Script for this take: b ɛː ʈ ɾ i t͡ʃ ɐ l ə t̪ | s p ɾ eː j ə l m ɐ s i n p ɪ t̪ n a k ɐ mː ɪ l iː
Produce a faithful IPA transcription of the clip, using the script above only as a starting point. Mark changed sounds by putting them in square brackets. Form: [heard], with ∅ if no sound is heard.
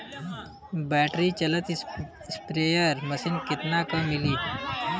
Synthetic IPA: b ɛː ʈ ɾ i t͡ʃ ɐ l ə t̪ | s p ɾ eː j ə [ɾ] m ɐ s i n [k] ɪ t̪ n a k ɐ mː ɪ l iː